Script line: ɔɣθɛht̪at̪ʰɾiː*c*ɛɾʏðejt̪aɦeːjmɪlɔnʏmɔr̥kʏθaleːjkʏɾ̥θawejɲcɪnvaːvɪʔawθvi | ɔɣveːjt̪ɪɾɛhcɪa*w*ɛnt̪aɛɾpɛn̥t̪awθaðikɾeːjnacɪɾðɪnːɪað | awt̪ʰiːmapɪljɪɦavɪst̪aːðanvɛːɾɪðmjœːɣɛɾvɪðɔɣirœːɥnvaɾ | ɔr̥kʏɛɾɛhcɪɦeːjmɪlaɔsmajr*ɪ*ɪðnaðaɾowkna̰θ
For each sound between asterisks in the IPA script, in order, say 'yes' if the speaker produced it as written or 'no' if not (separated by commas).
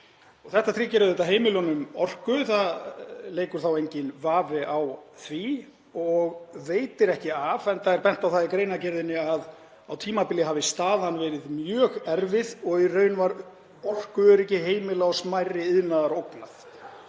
yes, no, yes